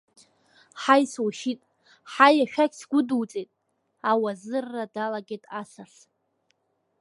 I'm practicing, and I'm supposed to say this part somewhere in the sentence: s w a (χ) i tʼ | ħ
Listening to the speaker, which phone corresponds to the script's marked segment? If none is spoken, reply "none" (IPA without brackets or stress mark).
ʃ